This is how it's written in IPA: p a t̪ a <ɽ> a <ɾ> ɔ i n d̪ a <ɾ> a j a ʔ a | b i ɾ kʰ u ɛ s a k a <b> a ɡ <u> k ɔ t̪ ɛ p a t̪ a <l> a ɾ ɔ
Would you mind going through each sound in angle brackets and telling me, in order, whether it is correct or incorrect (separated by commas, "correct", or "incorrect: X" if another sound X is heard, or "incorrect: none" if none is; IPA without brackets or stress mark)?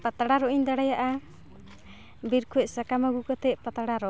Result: correct, correct, incorrect: ɽ, incorrect: m, correct, incorrect: ɽ